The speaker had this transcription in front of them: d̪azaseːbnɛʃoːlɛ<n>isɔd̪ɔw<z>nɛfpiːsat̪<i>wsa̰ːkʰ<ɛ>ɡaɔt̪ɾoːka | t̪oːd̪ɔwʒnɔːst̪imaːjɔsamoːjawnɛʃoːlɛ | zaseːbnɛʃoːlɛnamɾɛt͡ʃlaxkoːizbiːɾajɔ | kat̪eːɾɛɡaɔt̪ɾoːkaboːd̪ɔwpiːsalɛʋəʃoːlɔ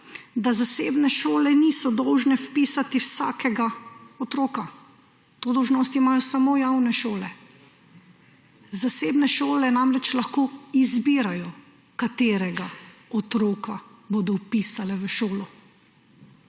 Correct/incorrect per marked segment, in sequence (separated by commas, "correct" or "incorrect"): correct, incorrect, correct, correct